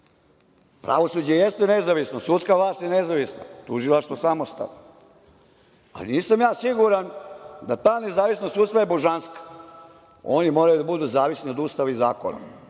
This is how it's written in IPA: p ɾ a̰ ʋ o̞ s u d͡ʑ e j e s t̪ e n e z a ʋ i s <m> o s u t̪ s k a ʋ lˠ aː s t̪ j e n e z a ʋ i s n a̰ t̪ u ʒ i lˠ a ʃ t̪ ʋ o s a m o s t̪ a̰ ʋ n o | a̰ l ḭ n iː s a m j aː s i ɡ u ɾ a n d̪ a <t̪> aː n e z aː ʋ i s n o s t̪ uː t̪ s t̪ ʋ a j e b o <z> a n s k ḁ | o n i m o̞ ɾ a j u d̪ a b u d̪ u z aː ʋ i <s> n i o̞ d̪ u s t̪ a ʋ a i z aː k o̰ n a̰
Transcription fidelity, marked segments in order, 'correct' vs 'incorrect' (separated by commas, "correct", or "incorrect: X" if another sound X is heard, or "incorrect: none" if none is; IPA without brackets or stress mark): incorrect: n, correct, incorrect: ʒ, correct